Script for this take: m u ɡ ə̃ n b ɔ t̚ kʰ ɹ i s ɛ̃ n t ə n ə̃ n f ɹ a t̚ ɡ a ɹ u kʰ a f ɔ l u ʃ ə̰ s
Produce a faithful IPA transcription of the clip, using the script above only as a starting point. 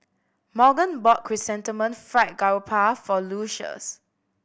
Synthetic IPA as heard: m ɔ ɡ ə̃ n b ɔ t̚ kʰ ɹ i s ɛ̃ n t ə m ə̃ n f ɹ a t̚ ɡ a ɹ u pʰ a f ɔ l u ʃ ə̰ s